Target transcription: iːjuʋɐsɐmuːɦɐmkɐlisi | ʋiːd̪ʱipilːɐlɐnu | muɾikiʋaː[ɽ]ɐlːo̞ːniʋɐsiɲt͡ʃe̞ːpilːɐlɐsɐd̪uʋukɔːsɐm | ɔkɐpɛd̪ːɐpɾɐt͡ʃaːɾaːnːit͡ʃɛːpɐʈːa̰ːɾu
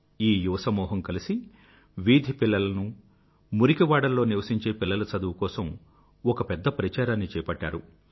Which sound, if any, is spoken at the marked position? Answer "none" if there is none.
ɽ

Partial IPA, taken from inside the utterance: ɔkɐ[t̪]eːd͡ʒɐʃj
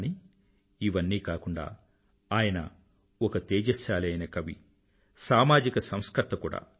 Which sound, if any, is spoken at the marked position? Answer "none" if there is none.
t̪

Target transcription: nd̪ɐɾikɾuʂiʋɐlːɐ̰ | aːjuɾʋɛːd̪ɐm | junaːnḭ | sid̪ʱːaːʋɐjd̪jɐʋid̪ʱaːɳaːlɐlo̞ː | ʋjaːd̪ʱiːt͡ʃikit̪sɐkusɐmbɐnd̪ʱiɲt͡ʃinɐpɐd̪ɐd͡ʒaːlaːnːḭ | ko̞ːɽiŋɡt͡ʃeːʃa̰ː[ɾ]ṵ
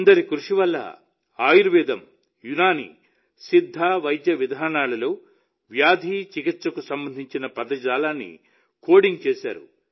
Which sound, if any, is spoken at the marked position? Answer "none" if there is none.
ɾ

